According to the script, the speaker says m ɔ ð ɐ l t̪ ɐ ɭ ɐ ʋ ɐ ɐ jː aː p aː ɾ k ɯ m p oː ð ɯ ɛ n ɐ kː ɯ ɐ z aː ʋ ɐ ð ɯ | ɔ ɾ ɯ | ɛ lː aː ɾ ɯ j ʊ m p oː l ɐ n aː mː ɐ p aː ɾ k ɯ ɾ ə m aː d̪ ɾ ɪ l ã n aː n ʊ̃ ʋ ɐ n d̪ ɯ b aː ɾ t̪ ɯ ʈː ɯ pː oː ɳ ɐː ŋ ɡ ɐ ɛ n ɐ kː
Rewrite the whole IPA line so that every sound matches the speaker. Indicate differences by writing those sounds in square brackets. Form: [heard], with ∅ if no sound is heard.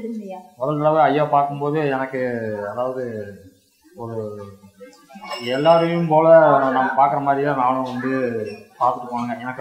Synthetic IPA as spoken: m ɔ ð ɐ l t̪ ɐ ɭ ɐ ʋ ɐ ɐ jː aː p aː ɾ k ɯ m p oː ð ɯ ɛ n ɐ kː ɯ ɐ [ð] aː ʋ ɐ ð ɯ | ɔ ɾ ɯ | ɛ lː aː ɾ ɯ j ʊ m p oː l ɐ n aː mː ɐ p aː ɾ k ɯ ɾ [ɐ] m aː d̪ ɾ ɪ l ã n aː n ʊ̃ ʋ ɐ n d̪ ɯ [p] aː ɾ t̪ ɯ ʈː ɯ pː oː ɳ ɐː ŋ ɡ ɐ ɛ n ɐ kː